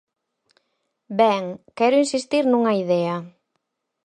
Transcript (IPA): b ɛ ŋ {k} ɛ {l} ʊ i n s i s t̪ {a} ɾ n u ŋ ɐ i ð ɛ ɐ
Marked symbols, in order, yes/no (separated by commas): yes, no, no